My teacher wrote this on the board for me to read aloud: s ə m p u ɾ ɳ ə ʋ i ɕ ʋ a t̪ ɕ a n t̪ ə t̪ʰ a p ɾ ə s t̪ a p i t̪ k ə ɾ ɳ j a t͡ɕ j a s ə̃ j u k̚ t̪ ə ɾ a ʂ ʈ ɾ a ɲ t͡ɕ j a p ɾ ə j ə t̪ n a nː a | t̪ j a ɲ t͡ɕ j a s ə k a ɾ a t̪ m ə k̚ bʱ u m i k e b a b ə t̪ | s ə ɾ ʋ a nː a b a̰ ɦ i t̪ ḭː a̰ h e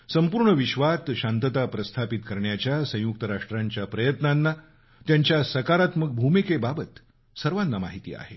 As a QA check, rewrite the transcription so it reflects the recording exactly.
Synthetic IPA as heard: s ə m p u ɾ ɳ ə ʋ i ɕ ʋ a t̪ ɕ a n t̪ ə t̪ a p ɾ ə s t̪ʰ a p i t̪ k ə ɾ ɳ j a t͡ɕ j a s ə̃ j u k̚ t̪ ə ɾ a ʂ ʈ ɾ a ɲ t͡ɕ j a p ɾ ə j ə t̪ n a nː a | t̪ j a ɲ t͡ɕ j a s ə k a ɾ a t̪ m ə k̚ bʱ u m i k e b a b ə t̪ | s ə ɾ ʋ a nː a m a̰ ɦ i t̪ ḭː a̰ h e